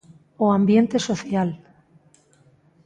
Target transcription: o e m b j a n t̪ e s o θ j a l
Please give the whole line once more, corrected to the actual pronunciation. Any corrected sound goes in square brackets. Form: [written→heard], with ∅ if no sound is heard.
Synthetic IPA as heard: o [e→a] m b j [a→e] n t̪ e s o θ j a l